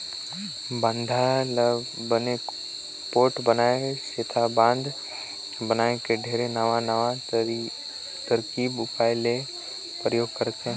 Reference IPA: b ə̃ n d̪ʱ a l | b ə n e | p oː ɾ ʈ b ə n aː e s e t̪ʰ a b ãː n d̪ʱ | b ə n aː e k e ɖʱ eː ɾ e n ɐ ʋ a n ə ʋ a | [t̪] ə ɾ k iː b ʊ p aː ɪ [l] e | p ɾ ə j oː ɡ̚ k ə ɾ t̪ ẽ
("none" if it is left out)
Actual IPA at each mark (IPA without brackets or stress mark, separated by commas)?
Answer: t̪, l